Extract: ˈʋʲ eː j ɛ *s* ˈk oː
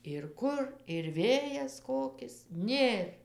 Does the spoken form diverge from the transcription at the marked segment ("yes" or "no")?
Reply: no